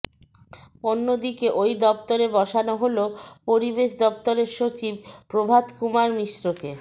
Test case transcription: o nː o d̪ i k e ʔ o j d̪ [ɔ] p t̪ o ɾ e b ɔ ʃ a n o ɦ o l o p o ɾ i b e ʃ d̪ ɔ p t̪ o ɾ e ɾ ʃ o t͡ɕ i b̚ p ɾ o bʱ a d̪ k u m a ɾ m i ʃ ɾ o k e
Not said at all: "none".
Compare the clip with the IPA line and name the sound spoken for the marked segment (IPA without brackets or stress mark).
ɔ